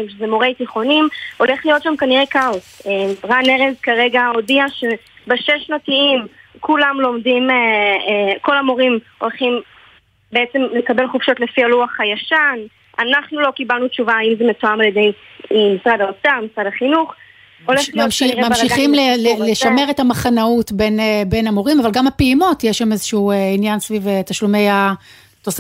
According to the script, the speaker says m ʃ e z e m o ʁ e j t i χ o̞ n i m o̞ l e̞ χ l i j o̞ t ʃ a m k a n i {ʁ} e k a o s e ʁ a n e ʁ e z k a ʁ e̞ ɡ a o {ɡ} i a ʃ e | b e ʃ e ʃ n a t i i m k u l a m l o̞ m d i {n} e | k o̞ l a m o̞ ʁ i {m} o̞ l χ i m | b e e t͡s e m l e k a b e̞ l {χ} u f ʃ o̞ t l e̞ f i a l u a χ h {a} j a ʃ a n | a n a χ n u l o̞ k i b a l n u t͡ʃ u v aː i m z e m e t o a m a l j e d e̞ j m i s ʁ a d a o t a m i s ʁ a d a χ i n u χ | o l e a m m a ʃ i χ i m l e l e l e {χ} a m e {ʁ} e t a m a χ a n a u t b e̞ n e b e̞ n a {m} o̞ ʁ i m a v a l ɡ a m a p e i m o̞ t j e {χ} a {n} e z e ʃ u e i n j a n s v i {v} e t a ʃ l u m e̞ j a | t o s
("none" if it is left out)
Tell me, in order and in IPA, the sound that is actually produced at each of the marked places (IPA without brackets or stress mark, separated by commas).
ʁ, d, m, m, χ, a, ʃ, ʁ, m, ʃ, m, v